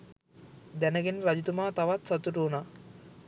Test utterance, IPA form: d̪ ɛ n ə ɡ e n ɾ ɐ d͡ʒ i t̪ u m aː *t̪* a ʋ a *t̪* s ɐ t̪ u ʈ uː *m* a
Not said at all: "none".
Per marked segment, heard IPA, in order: t̪, t̪, n

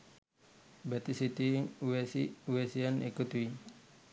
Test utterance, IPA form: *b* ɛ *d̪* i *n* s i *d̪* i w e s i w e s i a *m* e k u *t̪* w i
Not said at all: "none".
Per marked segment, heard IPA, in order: b, t̪, none, t̪, n, t̪

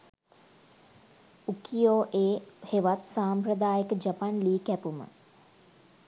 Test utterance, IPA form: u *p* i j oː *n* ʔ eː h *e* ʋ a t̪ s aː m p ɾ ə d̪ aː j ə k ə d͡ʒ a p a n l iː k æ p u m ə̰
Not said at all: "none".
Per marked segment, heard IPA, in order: k, none, e

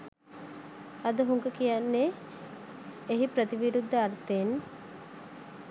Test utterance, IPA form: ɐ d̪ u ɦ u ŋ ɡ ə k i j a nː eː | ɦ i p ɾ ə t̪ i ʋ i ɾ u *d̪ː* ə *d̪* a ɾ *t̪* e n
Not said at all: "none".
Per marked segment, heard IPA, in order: d̪ː, none, t̪

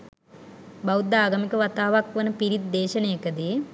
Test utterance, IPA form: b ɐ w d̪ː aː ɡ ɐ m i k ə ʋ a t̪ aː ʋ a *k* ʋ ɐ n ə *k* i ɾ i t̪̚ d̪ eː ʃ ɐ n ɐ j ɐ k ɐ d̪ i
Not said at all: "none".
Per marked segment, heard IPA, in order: k, p

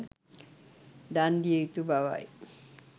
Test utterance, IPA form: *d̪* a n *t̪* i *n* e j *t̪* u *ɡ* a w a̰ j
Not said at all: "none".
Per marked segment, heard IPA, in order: d̪, d̪, none, t̪, b

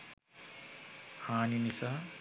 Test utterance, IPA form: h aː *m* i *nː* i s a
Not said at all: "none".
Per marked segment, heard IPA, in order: n, n

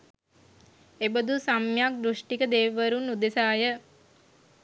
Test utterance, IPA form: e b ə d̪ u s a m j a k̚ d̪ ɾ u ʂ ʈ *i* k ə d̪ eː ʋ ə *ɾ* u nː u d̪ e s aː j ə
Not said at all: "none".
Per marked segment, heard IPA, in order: i, ɾ

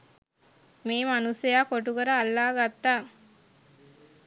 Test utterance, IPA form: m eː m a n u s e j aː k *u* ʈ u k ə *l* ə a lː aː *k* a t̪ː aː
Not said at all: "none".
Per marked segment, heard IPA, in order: o, ɾ, ɡ

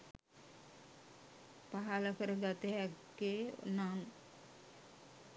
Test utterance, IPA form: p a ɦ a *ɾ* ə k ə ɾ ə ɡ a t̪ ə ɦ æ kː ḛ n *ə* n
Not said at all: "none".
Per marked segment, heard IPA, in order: l, a

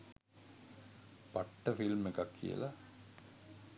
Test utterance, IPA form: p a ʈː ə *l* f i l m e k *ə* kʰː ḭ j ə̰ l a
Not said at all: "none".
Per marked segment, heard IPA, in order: none, a

